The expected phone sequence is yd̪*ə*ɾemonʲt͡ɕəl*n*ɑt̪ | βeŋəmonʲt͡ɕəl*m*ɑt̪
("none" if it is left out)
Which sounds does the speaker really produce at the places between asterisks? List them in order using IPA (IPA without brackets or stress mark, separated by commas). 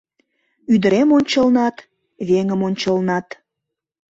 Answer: ə, n, n